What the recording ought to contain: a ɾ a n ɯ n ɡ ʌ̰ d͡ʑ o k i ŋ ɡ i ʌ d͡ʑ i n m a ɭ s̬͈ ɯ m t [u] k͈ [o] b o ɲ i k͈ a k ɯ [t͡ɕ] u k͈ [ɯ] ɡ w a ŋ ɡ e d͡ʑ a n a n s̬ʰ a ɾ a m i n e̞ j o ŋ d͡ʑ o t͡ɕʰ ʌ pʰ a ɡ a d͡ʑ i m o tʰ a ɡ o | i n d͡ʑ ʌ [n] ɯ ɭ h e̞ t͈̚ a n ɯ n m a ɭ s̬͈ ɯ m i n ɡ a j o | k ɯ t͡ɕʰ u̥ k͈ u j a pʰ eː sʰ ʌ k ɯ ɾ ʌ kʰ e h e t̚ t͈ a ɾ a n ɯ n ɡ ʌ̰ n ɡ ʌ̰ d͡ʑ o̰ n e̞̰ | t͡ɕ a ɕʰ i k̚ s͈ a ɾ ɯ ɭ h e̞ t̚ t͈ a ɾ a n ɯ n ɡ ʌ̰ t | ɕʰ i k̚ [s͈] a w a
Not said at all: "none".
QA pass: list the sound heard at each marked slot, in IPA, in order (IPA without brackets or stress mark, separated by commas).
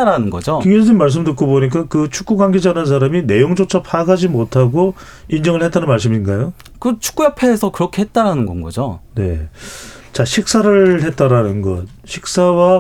ɯ, o, t͡ɕʰ, u, ŋ, s͈